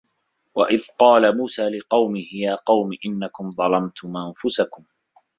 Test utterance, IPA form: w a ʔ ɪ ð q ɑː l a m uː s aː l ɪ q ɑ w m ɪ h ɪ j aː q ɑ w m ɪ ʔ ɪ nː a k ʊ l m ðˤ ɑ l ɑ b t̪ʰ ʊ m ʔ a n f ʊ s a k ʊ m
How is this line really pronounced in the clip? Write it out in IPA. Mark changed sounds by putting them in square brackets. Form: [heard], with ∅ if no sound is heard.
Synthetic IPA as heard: w a ʔ ɪ ð q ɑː l a m uː s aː l ɪ q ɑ w m ɪ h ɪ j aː q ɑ w m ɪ ʔ ɪ nː a k ʊ [∅] m ðˤ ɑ l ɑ [m] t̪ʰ ʊ m ʔ a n f ʊ s a k ʊ m